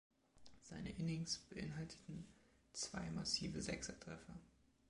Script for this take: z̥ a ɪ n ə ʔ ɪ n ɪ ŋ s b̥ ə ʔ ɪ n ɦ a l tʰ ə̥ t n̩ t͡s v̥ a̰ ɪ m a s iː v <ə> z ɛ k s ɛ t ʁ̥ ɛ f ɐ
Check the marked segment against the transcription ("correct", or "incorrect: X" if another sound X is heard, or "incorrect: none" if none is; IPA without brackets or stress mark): correct